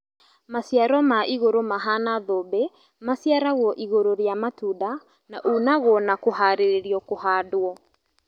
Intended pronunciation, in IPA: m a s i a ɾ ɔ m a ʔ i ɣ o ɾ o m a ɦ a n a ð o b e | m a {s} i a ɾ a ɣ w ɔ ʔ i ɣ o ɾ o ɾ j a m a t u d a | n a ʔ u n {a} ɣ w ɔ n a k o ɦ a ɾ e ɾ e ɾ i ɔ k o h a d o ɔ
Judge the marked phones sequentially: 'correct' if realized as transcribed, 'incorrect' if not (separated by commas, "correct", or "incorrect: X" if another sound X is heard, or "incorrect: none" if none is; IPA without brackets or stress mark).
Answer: correct, correct